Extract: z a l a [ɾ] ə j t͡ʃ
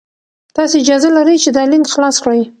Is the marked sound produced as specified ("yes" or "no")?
yes